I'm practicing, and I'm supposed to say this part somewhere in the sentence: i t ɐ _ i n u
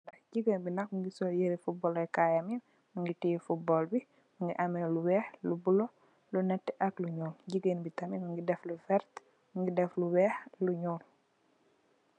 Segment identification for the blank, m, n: m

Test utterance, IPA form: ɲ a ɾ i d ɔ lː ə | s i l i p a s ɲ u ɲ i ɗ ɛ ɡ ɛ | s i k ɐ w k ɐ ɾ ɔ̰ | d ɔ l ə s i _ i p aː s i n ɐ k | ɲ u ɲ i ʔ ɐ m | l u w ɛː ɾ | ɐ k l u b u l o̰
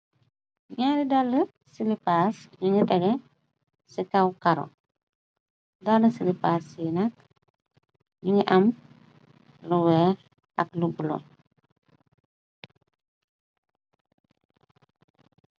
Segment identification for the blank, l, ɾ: l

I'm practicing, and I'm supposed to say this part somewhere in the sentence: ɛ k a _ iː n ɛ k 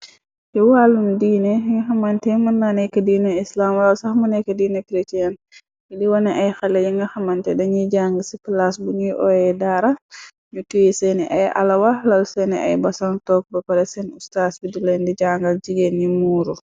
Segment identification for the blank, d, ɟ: d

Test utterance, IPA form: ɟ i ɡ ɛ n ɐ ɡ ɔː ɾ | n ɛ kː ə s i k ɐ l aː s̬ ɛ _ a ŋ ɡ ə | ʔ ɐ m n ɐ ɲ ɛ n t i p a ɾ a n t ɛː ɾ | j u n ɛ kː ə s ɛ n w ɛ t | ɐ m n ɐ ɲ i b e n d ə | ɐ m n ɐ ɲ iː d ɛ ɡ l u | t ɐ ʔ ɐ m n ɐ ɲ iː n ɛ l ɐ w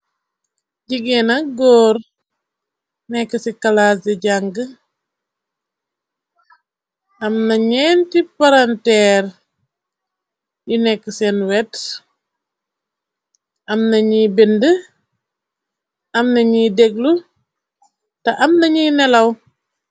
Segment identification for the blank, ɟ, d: ɟ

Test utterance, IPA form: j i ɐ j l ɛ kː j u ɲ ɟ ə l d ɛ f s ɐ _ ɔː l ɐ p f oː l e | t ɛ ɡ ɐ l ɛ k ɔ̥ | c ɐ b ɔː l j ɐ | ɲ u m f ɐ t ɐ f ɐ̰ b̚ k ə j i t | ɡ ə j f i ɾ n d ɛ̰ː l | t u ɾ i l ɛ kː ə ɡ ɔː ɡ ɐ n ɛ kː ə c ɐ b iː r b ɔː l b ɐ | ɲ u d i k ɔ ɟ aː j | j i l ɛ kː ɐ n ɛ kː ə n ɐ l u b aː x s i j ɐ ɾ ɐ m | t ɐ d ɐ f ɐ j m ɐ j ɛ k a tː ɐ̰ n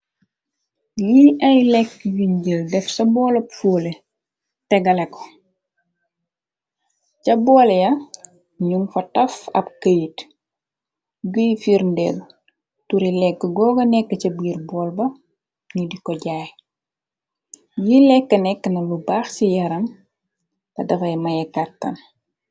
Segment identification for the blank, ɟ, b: b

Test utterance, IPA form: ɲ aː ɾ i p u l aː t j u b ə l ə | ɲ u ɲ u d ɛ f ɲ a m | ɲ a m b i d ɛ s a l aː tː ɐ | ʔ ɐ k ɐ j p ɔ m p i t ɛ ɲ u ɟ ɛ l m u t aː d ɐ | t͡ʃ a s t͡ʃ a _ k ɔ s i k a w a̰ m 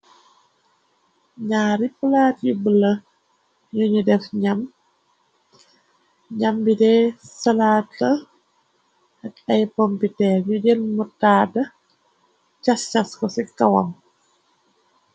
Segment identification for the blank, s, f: s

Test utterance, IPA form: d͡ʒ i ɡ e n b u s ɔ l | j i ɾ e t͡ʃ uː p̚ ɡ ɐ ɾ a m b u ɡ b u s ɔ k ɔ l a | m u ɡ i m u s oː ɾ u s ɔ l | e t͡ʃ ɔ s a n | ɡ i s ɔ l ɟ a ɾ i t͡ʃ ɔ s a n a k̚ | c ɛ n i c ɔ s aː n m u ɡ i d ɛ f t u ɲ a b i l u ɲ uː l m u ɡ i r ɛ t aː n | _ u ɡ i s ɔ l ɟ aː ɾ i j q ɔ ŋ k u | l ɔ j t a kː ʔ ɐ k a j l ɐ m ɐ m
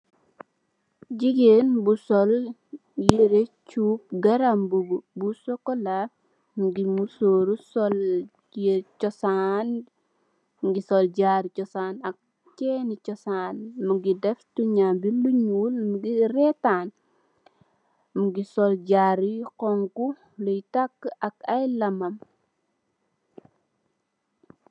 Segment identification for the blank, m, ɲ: m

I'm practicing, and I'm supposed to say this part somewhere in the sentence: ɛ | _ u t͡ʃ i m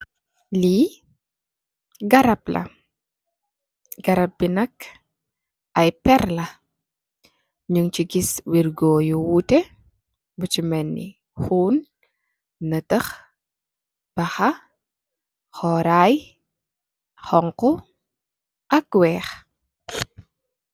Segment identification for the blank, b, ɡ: b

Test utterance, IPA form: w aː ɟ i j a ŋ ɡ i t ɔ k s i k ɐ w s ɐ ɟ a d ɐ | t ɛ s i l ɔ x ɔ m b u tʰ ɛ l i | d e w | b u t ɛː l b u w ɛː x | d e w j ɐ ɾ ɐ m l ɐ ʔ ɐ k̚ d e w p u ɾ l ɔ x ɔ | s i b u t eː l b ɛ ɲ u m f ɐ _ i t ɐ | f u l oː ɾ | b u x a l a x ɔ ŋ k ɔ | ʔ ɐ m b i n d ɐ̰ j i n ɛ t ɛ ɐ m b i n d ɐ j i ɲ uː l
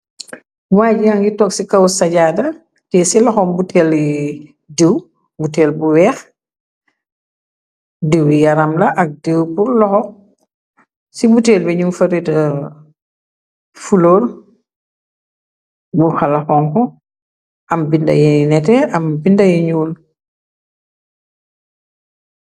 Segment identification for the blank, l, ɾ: ɾ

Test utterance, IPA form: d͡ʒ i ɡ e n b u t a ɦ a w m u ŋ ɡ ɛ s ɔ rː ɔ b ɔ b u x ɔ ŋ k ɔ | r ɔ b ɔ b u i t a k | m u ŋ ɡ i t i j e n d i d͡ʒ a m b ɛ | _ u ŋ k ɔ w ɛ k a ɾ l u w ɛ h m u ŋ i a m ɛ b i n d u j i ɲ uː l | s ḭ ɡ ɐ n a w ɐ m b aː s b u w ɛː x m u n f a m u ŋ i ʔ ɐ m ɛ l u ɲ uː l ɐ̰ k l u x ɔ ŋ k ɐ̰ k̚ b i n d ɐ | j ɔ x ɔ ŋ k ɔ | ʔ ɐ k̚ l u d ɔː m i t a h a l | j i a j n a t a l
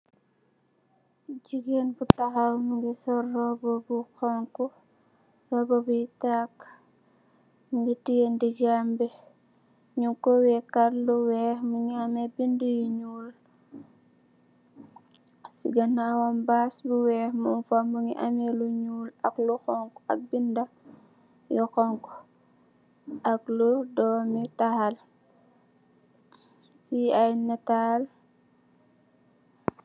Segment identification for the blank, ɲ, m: ɲ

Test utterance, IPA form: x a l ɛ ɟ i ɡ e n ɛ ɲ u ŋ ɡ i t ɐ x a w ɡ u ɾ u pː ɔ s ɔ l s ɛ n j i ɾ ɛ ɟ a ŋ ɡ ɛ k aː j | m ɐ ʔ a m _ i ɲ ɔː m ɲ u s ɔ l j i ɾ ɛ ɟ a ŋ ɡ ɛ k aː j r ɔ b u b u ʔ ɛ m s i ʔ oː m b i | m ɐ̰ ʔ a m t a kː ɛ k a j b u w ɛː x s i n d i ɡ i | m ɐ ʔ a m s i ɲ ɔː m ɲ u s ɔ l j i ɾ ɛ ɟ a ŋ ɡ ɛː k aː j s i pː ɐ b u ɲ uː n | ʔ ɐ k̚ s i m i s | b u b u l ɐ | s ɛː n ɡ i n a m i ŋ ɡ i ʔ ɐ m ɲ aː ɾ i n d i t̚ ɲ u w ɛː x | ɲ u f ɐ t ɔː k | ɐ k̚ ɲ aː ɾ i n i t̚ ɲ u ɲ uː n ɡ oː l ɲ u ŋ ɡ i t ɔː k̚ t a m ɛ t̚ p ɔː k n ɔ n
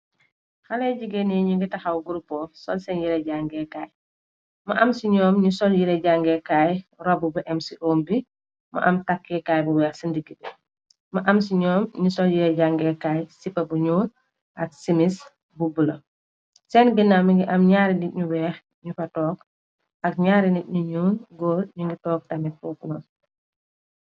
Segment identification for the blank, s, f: s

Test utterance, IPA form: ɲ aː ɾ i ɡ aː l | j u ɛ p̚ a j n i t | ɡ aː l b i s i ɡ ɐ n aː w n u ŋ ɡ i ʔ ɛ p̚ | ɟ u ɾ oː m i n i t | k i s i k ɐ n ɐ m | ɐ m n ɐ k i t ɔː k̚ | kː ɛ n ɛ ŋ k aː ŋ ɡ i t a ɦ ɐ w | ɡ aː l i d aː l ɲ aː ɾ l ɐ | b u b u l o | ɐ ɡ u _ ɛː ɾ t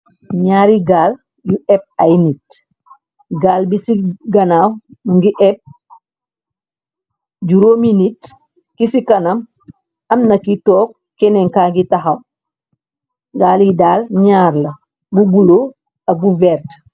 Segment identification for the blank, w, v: v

